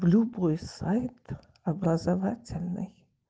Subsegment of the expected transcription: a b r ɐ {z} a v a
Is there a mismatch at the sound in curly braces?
no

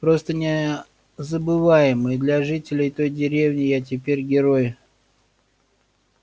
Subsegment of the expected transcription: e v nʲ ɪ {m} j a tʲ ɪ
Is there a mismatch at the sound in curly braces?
yes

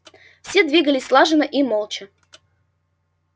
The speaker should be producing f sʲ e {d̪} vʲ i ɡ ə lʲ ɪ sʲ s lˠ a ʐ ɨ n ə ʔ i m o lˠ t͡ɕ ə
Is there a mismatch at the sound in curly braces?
no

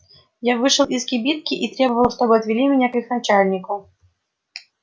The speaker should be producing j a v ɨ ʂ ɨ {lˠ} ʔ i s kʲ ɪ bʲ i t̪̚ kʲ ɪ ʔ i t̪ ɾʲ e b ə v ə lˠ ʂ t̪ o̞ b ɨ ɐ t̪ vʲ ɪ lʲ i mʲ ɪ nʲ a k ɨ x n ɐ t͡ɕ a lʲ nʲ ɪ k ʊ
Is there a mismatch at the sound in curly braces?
no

